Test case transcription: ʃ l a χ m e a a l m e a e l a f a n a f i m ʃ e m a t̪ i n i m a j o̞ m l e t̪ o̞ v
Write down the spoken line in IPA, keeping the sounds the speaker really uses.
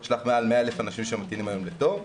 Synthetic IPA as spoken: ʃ l a χ m e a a l m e a e l e f a n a ʃ i m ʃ e m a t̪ i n i m a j o̞ m l e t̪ o̞ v